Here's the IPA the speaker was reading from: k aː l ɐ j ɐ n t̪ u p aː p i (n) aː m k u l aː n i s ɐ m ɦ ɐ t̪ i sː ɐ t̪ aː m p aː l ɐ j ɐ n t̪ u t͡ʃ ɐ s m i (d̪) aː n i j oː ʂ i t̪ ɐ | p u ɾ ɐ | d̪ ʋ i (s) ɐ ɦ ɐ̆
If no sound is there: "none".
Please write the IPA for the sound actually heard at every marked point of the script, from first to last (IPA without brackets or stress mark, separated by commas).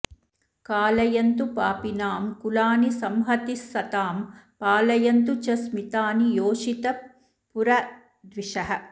n, t̪, ʂ